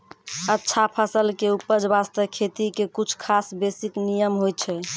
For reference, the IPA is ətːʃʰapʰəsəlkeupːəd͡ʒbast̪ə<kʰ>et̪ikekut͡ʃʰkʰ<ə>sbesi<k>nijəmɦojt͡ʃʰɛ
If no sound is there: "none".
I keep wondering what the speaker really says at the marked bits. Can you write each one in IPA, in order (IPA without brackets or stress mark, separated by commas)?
kʰ, a, k